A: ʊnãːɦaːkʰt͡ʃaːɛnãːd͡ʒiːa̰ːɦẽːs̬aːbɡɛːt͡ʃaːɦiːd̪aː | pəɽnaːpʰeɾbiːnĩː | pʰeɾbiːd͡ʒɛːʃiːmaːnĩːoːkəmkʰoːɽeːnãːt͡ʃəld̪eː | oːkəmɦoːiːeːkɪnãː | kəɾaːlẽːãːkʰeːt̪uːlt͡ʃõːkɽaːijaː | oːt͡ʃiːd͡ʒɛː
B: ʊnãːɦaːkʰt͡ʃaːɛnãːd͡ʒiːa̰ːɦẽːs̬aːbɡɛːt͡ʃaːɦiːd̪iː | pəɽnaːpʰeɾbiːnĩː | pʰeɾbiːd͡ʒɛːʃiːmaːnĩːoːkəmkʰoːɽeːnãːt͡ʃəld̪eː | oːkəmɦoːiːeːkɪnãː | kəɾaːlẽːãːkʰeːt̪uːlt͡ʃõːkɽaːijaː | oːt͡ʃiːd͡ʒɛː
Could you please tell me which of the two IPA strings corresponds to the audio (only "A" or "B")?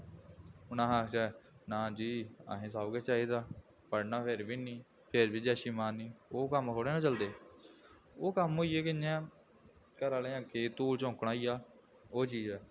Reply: A